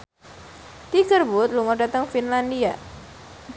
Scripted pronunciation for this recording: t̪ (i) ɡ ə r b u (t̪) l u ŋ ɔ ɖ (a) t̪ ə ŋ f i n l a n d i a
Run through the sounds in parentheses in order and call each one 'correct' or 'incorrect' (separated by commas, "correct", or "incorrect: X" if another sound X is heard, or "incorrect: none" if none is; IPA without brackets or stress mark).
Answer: correct, correct, correct